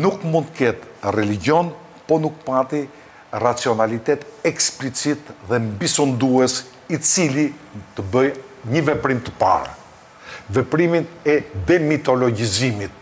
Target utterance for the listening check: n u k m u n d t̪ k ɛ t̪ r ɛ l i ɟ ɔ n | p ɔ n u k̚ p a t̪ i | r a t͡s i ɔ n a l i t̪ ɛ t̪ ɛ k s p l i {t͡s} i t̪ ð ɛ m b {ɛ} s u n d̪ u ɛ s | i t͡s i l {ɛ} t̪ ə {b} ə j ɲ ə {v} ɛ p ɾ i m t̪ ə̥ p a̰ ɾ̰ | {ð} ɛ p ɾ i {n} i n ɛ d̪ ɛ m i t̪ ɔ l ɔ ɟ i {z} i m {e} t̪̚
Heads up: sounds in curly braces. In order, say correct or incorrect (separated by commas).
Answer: correct, incorrect, incorrect, correct, correct, incorrect, incorrect, correct, incorrect